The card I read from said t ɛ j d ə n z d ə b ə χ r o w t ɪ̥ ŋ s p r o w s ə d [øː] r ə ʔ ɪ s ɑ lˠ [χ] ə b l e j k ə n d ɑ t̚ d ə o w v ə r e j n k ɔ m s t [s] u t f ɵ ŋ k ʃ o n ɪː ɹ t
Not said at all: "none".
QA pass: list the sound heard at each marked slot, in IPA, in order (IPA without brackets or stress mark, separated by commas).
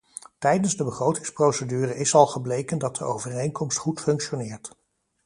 yː, χ, χ